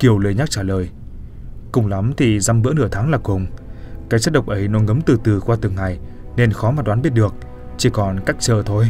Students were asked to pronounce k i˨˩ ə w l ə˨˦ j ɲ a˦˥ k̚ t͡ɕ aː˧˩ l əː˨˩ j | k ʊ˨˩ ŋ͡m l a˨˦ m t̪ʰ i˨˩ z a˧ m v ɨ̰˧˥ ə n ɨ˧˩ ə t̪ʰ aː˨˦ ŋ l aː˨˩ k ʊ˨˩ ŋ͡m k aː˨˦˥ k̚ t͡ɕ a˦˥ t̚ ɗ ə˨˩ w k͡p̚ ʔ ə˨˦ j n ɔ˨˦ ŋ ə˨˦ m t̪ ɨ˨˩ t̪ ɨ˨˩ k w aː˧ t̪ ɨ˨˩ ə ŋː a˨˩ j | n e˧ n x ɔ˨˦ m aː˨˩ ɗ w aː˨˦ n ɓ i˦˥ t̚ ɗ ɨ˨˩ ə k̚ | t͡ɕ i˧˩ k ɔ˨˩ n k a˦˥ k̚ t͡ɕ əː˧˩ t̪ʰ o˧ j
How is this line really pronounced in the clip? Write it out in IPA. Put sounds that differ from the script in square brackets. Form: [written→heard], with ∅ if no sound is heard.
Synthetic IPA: k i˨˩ ə w l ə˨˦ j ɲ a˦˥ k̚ t͡ɕ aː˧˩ l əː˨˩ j | k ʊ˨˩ ŋ͡m l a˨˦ m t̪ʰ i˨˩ z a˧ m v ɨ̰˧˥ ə n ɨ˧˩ ə t̪ʰ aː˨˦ ŋ l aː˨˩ k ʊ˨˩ ŋ͡m k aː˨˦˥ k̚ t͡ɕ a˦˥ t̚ ɗ ə˨˩ w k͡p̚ ʔ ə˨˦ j n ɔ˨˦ ŋ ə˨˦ m t̪ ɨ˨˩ t̪ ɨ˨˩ k w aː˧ t̪ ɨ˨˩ ə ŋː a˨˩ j | n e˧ n x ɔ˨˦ m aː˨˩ ɗ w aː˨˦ n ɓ i˦˥ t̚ ɗ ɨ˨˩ ə k̚ | t͡ɕ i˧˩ k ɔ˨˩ n k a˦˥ k̚ t͡ɕ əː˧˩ t̪ʰ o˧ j